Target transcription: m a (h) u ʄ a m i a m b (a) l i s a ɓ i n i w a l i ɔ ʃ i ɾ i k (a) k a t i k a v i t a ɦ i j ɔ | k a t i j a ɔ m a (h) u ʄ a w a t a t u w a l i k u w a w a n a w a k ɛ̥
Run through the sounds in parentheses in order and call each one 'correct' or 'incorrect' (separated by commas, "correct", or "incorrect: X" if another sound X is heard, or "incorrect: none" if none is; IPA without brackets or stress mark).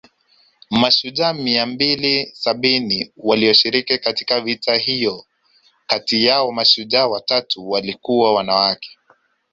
incorrect: ʃ, incorrect: i, incorrect: i, incorrect: ʃ